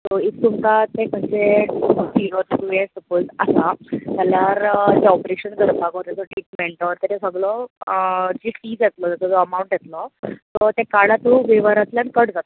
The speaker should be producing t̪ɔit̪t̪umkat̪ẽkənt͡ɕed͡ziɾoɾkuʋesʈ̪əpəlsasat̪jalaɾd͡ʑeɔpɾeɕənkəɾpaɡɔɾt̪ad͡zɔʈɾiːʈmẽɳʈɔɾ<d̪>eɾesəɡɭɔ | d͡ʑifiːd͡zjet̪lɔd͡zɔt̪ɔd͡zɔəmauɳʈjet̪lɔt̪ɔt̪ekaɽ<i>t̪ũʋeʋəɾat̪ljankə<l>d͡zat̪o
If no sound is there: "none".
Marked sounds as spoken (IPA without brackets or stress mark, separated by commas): t̪, a, ɽ